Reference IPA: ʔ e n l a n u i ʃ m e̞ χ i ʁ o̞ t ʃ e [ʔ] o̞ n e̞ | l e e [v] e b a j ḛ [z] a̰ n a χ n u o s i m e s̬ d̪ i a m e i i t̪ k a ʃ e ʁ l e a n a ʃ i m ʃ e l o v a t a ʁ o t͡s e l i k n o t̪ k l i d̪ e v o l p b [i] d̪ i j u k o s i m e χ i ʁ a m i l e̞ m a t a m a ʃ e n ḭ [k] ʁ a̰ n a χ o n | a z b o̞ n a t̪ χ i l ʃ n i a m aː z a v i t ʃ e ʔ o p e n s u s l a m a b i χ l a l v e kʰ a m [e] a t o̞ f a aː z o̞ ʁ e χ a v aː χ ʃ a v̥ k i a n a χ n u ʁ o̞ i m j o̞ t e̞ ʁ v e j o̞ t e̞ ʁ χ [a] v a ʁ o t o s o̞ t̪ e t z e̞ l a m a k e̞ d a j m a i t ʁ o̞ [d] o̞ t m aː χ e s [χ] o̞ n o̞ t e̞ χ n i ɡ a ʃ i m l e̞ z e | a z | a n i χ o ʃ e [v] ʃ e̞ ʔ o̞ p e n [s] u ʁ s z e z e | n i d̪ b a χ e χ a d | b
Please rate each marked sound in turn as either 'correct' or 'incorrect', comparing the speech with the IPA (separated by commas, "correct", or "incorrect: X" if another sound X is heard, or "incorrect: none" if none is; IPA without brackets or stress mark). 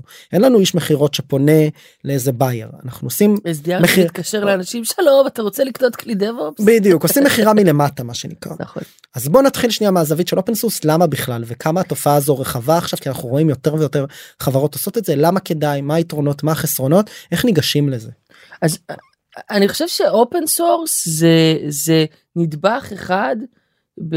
incorrect: p, incorrect: z, incorrect: ʁ, correct, correct, incorrect: a, correct, incorrect: n, incorrect: ʁ, correct, correct